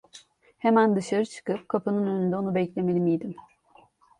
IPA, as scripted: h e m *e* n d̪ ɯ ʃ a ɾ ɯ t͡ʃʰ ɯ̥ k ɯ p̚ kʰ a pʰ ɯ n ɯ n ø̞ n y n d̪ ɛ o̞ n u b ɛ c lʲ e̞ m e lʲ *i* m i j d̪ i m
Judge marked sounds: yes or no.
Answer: no, yes

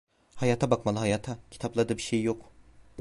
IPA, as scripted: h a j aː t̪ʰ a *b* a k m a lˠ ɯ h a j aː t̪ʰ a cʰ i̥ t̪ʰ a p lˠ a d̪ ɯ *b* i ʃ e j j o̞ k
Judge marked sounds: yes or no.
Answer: yes, yes

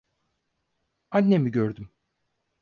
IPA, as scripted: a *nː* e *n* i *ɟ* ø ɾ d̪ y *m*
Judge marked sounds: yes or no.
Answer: yes, no, yes, yes

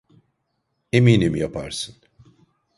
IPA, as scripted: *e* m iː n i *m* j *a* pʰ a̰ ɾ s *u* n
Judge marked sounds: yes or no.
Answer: yes, yes, yes, no

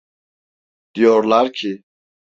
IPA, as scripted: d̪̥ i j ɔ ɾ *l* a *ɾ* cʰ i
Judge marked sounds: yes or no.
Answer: yes, yes

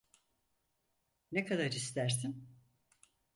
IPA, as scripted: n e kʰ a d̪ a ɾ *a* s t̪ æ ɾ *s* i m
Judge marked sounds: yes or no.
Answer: no, yes

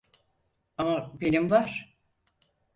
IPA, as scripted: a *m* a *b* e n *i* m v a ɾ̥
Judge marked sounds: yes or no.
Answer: yes, yes, yes

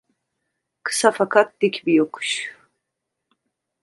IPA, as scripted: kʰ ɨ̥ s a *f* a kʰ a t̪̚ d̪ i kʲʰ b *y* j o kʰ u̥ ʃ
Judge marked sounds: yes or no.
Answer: yes, no

